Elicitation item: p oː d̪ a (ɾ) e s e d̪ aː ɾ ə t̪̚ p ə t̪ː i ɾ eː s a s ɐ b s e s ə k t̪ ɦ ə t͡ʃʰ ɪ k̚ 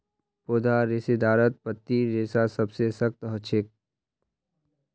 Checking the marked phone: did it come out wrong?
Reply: no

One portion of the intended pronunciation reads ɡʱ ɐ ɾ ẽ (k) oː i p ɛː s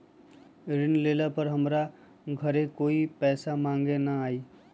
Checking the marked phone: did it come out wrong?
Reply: no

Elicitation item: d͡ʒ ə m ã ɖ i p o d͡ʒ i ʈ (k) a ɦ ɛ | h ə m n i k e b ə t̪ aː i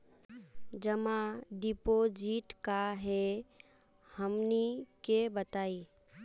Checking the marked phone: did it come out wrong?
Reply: no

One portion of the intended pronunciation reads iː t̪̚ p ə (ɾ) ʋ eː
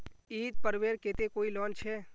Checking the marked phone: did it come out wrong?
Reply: no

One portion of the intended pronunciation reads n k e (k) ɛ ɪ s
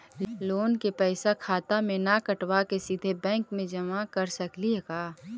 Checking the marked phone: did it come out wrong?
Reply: yes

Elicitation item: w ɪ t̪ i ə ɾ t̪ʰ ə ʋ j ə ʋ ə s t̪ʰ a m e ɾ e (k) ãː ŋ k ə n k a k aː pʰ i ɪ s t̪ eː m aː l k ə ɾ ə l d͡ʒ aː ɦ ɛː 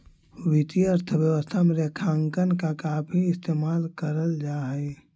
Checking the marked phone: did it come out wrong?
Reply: yes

